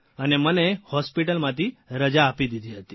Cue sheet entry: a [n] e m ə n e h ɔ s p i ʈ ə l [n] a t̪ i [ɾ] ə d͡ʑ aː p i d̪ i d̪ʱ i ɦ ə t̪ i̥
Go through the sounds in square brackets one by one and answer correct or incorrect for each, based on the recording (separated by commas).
correct, incorrect, correct